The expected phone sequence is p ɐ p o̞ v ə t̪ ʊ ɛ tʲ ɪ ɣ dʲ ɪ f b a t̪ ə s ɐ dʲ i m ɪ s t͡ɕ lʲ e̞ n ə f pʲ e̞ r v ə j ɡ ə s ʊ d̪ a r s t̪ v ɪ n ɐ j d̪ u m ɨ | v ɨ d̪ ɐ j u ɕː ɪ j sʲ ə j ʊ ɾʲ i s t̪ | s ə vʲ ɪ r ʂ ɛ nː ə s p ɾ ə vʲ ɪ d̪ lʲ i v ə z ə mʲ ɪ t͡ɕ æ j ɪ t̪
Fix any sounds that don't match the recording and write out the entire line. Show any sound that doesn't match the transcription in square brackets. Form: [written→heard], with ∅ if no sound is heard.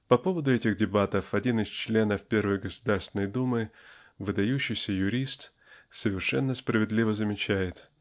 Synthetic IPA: p ɐ p o̞ v ə [t̪→d̪] ʊ ɛ tʲ ɪ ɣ dʲ ɪ [f→∅] b a t̪ ə [s→f] ɐ dʲ i [m→n] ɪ s t͡ɕ lʲ e̞ n ə f pʲ e̞ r v ə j ɡ ə s ʊ d̪ a r s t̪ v ɪ n [ɐ→ə] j d̪ u m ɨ | v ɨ d̪ ɐ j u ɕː ɪ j sʲ ə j ʊ ɾʲ i s t̪ | s ə vʲ ɪ r ʂ ɛ nː ə s p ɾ ə vʲ ɪ d̪ lʲ i v ə z ə mʲ ɪ t͡ɕ æ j ɪ t̪